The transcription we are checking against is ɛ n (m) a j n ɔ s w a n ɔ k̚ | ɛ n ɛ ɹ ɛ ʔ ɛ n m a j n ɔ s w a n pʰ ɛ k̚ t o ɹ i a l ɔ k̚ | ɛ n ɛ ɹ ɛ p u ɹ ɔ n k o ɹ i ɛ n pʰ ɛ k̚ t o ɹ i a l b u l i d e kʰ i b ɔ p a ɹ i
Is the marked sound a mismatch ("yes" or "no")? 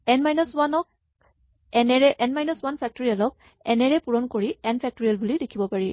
no